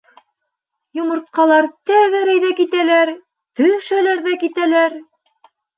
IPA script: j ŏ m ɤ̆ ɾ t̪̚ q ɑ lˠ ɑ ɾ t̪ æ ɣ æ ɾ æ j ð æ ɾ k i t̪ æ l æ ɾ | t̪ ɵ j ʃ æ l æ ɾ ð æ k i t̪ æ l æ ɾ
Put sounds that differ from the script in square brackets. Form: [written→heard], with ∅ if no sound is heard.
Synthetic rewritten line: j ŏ m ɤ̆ ɾ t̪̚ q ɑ lˠ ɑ ɾ t̪ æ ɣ æ ɾ æ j ð æ [ɾ→∅] k i t̪ æ l æ ɾ | t̪ ɵ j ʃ æ l æ ɾ ð æ k i t̪ æ l æ ɾ

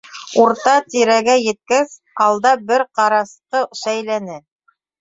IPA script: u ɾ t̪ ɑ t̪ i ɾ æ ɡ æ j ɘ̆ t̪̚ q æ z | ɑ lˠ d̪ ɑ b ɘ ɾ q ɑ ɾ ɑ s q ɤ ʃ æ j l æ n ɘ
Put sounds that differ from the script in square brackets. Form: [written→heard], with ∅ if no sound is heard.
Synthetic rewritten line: u ɾ t̪ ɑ t̪ i ɾ æ ɡ æ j ɘ̆ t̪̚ [q→k] æ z | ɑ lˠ d̪ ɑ b ɘ ɾ q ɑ ɾ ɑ s q ɤ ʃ æ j l æ n ɘ

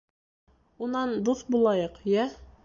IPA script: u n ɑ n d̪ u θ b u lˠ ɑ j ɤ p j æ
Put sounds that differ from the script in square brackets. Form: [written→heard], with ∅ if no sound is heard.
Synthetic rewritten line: u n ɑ n d̪ u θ b u lˠ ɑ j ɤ [p→q] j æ

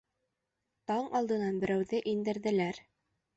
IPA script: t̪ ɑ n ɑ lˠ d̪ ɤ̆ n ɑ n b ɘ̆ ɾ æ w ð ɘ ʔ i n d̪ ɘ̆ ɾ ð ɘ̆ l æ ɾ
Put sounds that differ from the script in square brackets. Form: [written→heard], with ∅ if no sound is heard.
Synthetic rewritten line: t̪ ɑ [n→ɴ] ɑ lˠ d̪ ɤ̆ n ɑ n b ɘ̆ ɾ æ w ð ɘ ʔ i n d̪ ɘ̆ ɾ ð ɘ̆ l æ ɾ

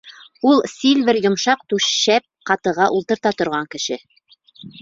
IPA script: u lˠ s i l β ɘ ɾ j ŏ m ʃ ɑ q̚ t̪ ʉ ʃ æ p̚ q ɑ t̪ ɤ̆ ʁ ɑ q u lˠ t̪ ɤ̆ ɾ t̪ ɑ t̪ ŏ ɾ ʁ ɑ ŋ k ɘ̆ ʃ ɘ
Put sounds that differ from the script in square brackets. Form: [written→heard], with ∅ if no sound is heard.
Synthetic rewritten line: u lˠ s i l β ɘ ɾ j ŏ m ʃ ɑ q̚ t̪ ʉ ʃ æ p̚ q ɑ t̪ ɤ̆ ʁ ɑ [q→ʔ] u lˠ t̪ ɤ̆ ɾ t̪ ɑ t̪ ŏ ɾ ʁ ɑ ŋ k ɘ̆ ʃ ɘ

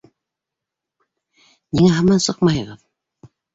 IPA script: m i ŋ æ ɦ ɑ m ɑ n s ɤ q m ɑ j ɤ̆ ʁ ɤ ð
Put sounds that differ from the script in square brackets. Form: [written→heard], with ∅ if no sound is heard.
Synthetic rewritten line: [m→n] i ŋ æ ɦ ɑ m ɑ n s ɤ q m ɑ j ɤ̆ ʁ ɤ ð

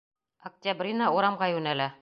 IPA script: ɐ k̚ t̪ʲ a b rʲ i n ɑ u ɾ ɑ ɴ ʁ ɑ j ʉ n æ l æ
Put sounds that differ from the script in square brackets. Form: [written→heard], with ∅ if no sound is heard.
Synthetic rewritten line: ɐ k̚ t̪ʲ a b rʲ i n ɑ u ɾ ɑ [ɴ→m] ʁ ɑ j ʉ n æ l æ

